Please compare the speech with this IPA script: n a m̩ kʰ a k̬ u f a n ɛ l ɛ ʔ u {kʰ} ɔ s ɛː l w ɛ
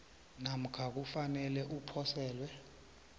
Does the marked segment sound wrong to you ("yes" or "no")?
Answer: yes